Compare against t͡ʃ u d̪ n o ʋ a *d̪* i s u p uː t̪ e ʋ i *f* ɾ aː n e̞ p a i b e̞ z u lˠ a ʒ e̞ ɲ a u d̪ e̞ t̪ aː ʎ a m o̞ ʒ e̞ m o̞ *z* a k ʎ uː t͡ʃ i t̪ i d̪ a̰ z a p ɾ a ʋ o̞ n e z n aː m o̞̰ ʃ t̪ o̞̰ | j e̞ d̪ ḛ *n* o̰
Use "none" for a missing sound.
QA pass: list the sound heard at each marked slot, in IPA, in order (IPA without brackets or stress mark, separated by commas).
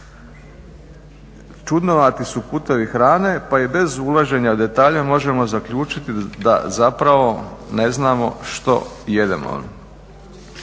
t̪, x, z, m